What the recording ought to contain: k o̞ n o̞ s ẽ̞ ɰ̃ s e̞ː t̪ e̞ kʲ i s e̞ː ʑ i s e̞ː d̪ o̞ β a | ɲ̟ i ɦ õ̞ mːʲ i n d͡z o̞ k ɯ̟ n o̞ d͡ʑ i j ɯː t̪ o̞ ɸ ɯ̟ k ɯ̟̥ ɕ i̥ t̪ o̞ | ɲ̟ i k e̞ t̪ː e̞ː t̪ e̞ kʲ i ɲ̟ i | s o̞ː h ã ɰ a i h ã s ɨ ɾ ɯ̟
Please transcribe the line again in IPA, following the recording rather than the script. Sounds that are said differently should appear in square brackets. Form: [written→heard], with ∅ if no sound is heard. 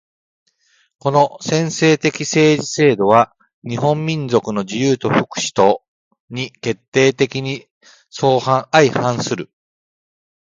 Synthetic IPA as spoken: k o̞ n o̞ s ẽ̞ ɰ̃ s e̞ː t̪ e̞ kʲ i s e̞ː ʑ i s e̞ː d̪ o̞ β a | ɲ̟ i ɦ õ̞ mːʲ [i→ĩ] n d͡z o̞ k ɯ̟ n o̞ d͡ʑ i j ɯː t̪ o̞ ɸ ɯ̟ k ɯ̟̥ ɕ i̥ t̪ o̞ | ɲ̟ i k e̞ t̪ː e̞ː t̪ e̞ kʲ i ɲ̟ i | s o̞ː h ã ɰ a i h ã s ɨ ɾ ɯ̟